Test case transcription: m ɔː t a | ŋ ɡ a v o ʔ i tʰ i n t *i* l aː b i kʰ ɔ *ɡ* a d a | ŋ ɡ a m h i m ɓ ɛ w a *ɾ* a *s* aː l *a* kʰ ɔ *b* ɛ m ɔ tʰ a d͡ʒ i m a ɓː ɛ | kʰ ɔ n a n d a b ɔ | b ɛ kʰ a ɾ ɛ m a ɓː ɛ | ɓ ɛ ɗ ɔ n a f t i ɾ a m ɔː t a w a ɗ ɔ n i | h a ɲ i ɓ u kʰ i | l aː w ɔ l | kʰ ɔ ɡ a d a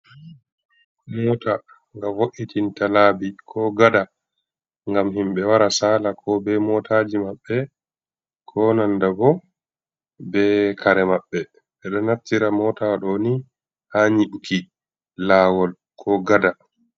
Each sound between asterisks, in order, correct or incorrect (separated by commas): incorrect, correct, correct, correct, correct, correct